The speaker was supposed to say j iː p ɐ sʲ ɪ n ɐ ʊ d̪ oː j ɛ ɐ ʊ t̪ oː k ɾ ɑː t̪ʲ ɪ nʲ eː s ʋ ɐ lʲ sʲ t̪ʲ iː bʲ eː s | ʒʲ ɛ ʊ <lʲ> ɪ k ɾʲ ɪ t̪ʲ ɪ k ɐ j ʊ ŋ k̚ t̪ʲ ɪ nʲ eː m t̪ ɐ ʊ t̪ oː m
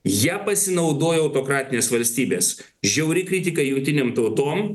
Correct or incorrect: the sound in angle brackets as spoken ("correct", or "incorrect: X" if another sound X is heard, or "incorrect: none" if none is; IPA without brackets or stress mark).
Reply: incorrect: ɾʲ